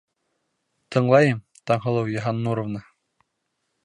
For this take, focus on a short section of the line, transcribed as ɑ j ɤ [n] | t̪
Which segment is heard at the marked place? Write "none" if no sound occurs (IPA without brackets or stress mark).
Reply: m